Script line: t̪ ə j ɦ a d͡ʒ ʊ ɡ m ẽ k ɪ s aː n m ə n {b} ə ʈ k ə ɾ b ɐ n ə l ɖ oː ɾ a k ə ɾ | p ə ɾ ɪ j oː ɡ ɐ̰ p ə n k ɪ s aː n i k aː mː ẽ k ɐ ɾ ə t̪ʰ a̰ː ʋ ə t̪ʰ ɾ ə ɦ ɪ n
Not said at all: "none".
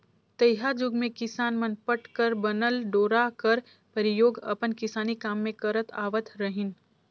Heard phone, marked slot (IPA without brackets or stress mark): p